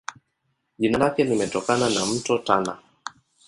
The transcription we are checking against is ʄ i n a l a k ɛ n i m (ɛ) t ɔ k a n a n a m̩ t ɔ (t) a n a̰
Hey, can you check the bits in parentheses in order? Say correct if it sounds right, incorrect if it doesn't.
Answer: correct, correct

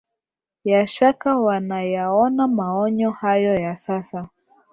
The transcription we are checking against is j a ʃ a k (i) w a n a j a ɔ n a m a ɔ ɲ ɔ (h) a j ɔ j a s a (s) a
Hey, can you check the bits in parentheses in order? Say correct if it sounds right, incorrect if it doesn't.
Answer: incorrect: a, correct, correct

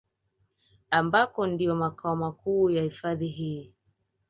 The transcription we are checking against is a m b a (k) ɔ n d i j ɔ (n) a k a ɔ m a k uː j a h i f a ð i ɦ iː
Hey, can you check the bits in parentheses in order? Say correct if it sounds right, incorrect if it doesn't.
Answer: correct, incorrect: m

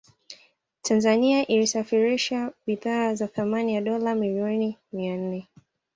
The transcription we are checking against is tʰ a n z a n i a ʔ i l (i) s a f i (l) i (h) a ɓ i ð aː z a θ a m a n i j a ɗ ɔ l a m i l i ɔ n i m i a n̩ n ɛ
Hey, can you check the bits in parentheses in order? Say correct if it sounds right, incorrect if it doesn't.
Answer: correct, incorrect: ɾ, incorrect: ʃ

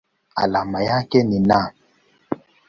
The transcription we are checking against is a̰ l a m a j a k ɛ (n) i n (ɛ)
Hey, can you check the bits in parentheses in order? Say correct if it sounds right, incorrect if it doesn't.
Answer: correct, incorrect: a

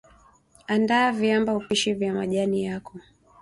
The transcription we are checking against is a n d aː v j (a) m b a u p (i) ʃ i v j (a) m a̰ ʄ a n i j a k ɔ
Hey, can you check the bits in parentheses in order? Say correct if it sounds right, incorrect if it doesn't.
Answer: correct, correct, correct

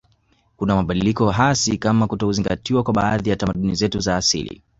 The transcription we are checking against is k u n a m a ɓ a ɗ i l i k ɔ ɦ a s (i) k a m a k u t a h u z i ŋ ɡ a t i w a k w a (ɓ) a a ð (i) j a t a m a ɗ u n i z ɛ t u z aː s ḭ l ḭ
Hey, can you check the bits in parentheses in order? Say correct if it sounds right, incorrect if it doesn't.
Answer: correct, correct, correct

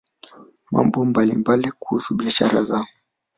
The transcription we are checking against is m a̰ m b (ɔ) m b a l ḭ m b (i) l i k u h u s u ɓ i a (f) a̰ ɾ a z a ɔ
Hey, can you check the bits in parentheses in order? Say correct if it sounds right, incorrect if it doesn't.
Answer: correct, incorrect: a, incorrect: ʃ

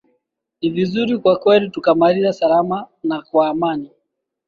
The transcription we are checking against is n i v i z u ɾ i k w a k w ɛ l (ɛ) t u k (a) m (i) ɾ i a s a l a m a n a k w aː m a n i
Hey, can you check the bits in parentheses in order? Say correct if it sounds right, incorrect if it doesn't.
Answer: incorrect: i, correct, incorrect: a

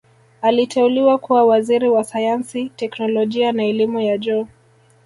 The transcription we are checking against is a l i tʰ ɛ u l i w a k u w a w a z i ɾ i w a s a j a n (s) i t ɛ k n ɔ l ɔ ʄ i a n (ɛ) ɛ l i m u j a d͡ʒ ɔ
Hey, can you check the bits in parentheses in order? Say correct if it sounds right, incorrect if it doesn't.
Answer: correct, incorrect: a

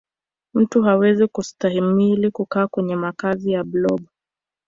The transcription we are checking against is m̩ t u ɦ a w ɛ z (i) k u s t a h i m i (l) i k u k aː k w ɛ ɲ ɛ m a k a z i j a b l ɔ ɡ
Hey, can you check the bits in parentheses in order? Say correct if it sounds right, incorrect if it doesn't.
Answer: correct, correct

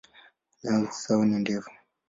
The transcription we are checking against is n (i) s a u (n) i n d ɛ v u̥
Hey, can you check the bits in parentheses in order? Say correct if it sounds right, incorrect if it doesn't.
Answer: incorrect: a, correct

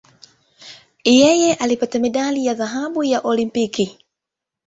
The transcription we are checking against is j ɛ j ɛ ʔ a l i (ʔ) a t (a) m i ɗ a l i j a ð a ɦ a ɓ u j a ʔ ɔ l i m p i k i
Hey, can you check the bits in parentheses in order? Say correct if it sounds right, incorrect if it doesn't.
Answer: incorrect: p, correct

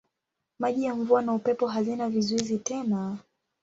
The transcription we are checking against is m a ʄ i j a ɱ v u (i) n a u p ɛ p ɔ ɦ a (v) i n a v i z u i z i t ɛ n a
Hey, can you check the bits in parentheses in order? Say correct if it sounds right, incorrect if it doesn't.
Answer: incorrect: a, incorrect: z

